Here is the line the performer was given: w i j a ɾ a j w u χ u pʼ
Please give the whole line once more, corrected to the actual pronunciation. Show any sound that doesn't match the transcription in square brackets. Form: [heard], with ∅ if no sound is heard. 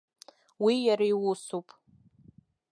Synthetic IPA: w i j a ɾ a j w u [s] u pʼ